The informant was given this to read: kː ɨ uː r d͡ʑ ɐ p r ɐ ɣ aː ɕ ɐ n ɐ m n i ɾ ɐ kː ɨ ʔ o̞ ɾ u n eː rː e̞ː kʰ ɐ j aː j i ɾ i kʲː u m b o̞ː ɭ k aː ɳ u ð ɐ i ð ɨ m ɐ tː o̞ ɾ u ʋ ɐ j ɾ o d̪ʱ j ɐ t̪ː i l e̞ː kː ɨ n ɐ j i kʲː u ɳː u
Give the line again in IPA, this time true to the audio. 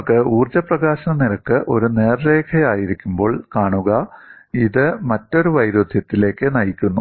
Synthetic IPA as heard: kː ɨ uː r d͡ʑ ɐ p r ɐ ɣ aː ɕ ɐ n ɐ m n i ɾ ɐ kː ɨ ʔ o̞ ɾ u n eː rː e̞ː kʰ ɐ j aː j i ɾ i kʲː u m b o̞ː ɭ k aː ɳ u ɣ ɐ i ð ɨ m ɐ tː o̞ ɾ u ʋ ɐ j ɾ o d̪ʱ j ɐ t̪ː i l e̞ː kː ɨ n ɐ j i kʲː u nː u